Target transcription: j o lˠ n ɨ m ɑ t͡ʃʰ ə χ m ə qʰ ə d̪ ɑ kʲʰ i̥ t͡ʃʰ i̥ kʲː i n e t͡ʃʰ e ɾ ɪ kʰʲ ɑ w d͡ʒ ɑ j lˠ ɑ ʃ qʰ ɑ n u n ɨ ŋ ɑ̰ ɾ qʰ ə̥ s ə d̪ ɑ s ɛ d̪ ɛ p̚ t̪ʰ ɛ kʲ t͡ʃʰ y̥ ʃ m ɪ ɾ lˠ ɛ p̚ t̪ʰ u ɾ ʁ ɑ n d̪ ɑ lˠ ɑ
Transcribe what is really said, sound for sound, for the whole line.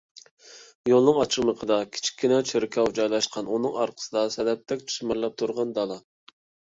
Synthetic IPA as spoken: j o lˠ n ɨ ŋ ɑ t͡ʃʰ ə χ m ə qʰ ə d̪ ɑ kʲʰ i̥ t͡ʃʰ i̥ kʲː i n ɛ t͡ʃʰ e ɾ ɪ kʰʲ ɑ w d͡ʒ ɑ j lˠ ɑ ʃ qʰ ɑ n u n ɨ ŋ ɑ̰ ɾ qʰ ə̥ s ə d̪ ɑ s ɛ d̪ ɛ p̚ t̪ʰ ɛ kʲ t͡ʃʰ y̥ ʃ m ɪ ɾ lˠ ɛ p̚ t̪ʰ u ɾ ʁ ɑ n d̪ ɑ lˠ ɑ

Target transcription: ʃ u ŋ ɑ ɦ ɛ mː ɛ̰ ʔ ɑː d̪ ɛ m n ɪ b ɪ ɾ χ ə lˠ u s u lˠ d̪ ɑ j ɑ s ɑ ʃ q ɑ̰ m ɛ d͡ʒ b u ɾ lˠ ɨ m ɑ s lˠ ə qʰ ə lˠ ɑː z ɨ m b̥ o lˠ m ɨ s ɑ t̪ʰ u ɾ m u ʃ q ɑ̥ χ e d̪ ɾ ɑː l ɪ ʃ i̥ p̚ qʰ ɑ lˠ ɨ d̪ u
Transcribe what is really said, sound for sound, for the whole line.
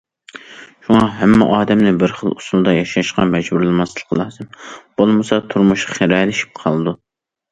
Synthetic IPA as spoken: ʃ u ŋ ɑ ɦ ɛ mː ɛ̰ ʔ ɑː d̪ ɛ m n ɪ b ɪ ɾ χ ə lˠ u s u lˠ d̪ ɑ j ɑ ʃ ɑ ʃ q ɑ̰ m ɛ d͡ʒ b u ɾ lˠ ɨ m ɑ s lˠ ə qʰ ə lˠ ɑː z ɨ m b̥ o lˠ m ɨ s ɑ t̪ʰ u ɾ m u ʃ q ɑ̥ χ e ɾ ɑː l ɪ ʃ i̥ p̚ qʰ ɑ lˠ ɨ d̪ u

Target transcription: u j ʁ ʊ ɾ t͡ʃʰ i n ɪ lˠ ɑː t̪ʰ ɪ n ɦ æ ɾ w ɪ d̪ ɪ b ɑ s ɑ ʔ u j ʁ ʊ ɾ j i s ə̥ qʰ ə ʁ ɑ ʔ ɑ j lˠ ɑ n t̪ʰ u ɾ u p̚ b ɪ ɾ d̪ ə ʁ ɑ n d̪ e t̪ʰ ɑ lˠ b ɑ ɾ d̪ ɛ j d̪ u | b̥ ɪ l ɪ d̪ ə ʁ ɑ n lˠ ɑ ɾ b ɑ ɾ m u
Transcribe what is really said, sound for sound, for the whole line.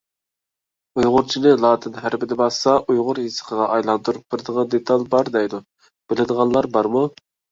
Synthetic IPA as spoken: u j ʁ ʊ ɾ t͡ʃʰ i n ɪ lˠ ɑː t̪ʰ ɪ n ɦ æ ɾ b ɪ d̪ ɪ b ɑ s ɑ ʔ u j ʁ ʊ ɾ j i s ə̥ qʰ ə ʁ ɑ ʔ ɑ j lˠ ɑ n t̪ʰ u ɾ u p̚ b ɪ ɾ d̪ ə ʁ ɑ n d̪ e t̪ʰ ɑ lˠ b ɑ ɾ d̪ ɛ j d̪ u | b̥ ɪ l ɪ d̪ ə ʁ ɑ n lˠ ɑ ɾ b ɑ ɾ m u

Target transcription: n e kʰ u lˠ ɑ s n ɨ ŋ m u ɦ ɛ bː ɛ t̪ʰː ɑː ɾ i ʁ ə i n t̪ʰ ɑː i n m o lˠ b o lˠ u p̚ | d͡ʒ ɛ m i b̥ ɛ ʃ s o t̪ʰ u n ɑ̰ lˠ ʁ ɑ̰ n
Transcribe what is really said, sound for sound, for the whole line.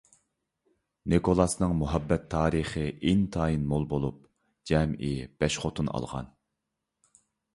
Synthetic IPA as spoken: n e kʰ o lˠ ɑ s n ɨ ŋ m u ɦ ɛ bː ɛ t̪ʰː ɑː ɾ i χ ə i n t̪ʰ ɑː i n m o lˠ b o lˠ u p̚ | d͡ʒ ɛ m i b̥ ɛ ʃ χ o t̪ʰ u n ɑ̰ lˠ ʁ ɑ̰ n

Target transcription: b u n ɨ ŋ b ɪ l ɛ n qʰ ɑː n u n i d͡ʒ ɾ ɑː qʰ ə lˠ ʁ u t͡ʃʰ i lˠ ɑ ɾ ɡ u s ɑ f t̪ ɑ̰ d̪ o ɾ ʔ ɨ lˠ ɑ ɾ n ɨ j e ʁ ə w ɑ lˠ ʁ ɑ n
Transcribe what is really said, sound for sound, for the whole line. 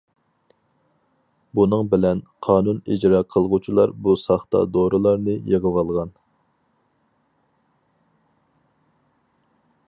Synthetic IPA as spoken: b u n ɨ ŋ b ɪ l ɛ n qʰ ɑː n u n i d͡ʒ ɾ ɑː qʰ ə lˠ ʁ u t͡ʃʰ i lˠ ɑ ɾ b u s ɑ χ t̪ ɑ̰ d̪ o ɾ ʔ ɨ lˠ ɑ ɾ n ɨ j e ʁ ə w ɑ lˠ ʁ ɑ n

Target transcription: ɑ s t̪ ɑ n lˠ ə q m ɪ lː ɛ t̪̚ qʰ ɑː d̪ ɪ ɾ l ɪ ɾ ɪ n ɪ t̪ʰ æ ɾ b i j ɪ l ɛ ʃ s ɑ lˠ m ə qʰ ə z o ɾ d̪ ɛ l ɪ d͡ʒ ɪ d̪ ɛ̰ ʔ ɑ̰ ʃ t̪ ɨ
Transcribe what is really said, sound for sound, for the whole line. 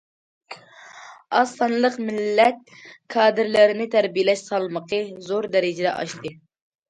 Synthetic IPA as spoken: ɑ s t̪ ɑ n lˠ ə q m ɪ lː ɛ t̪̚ kʰ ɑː d̪ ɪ ɾ l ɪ ɾ ɪ n ɪ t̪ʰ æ ɾ b i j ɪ l ɛ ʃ s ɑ lˠ m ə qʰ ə z o ɾ d̪ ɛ ɾ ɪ d͡ʒ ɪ d̪ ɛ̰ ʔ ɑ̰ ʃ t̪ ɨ

